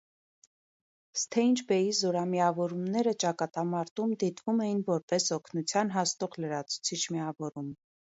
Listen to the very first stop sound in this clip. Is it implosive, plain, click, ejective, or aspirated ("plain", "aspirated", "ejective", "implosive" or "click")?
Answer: aspirated